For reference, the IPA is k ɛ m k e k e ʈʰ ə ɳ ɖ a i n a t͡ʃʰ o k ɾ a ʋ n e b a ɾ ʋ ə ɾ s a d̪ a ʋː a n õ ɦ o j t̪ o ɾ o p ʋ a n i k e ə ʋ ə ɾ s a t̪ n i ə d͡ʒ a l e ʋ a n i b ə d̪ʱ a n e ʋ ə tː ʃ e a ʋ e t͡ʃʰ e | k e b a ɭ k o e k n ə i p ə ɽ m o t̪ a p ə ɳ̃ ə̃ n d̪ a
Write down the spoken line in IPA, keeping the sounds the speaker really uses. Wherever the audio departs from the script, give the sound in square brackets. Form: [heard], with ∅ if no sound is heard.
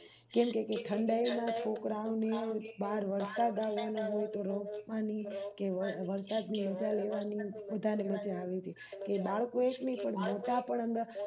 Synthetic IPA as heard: k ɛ m k e k e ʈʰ ə ɳ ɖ a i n a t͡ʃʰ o k ɾ a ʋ n e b a ɾ ʋ ə ɾ s a d̪ a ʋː a n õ ɦ o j t̪ o ɾ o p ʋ a n i k e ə ʋ ə ɾ s a [d̪] n i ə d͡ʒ a l e ʋ a n i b ə d̪ʱ a n e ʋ ə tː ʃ e a ʋ e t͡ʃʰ e | k e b a ɭ k o e k n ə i p ə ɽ m o t̪ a p ə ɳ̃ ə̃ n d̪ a